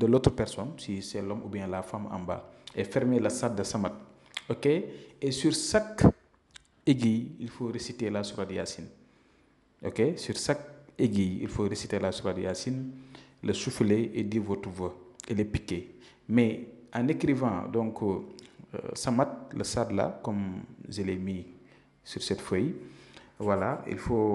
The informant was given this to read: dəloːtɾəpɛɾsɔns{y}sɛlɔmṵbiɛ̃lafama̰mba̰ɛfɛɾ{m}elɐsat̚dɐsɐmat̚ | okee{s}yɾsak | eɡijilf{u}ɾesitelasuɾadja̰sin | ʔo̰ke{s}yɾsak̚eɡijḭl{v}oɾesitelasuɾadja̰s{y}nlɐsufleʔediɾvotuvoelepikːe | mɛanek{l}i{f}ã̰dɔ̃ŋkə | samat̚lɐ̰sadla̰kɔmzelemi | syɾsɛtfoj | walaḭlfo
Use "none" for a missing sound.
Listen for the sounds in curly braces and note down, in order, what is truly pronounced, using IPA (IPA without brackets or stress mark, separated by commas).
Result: i, m, s, o, s, f, i, ɾ, v